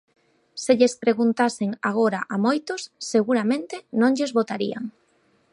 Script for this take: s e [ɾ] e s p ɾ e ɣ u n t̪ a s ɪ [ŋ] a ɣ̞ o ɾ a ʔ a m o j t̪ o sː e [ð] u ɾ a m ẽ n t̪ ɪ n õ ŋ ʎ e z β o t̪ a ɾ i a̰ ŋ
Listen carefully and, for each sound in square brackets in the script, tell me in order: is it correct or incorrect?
incorrect, correct, incorrect

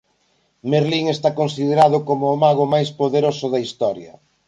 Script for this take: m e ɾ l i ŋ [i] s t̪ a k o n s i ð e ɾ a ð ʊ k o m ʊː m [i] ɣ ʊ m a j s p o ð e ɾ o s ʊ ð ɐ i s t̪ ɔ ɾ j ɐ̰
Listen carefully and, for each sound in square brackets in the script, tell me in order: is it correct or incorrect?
incorrect, incorrect

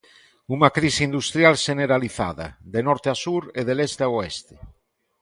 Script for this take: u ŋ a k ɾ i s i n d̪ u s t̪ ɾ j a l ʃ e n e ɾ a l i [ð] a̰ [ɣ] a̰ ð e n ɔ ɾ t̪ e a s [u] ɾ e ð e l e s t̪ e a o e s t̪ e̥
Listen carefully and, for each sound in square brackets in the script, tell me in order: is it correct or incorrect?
incorrect, incorrect, correct

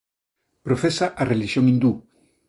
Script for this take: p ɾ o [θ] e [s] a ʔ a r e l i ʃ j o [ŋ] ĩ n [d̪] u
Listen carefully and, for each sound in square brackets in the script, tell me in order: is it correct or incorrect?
incorrect, correct, correct, correct

